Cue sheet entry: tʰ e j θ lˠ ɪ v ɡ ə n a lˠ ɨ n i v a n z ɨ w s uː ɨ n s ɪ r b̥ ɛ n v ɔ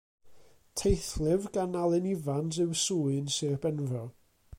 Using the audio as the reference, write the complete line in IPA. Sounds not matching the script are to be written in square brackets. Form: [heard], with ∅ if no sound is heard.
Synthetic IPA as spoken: tʰ e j θ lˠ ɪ v ɡ [a] n a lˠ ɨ n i v a n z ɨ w s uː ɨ n s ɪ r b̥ ɛ n v ɔ